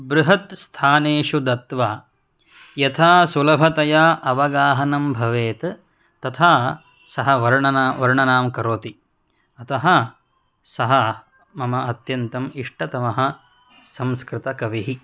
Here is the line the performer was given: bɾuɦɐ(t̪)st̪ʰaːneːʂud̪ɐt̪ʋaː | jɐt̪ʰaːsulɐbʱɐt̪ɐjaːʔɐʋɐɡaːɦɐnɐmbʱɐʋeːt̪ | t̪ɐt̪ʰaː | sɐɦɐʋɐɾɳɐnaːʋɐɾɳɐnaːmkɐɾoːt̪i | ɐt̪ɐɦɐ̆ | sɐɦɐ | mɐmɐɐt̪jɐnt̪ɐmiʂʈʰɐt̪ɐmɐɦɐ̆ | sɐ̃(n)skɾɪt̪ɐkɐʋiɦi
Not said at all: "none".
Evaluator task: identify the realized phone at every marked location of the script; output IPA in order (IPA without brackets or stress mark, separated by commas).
t̪, m